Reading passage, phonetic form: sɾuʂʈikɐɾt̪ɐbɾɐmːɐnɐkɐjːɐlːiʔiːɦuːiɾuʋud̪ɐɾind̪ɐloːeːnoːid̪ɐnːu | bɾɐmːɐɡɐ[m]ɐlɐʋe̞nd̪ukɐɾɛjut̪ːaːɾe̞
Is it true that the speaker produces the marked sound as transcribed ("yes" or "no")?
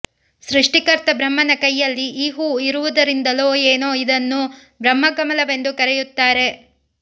yes